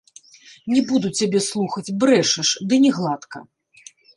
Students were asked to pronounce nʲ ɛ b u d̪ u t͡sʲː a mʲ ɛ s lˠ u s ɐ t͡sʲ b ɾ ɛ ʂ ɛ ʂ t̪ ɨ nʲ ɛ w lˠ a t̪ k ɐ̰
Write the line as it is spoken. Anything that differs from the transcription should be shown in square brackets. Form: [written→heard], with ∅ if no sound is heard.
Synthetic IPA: nʲ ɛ b u d̪ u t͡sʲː a [mʲ→bʲ] ɛ s lˠ u [s→x] ɐ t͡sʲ b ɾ ɛ ʂ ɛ ʂ [t̪→d̪] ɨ nʲ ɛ [w→ɣ] lˠ a t̪ k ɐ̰